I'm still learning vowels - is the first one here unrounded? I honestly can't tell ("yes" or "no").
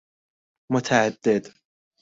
no